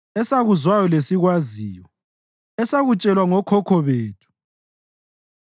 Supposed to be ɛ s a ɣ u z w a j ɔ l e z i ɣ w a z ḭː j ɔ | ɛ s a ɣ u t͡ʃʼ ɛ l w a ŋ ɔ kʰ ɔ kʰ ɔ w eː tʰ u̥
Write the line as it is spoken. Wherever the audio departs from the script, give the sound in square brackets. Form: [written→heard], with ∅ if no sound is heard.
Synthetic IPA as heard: ɛ s a ɣ u z w a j ɔ l e [z→s] i ɣ w a z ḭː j ɔ | ɛ s a ɣ u t͡ʃʼ ɛ l w a ŋ ɔ kʰ ɔ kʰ ɔ [w→β] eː tʰ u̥